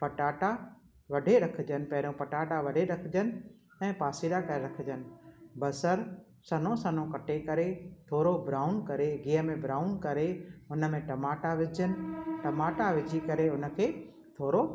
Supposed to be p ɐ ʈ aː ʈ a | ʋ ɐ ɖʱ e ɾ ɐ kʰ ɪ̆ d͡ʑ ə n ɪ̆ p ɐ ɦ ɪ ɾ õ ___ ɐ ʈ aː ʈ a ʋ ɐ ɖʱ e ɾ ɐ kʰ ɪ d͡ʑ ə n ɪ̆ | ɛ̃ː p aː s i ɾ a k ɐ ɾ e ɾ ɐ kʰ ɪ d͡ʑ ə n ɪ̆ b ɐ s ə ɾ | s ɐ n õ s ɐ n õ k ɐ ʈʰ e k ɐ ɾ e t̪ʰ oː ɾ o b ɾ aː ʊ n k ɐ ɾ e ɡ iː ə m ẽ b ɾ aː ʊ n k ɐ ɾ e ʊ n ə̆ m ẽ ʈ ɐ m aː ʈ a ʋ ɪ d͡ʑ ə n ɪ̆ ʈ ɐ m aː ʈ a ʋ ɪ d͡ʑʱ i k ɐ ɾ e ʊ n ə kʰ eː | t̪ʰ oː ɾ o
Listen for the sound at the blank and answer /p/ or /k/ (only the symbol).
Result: p